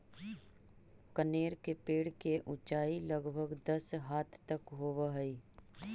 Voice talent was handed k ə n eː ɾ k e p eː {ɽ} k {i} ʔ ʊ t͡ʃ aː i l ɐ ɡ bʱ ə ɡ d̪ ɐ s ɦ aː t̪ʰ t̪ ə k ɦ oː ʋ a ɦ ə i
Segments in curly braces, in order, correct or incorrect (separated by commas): correct, incorrect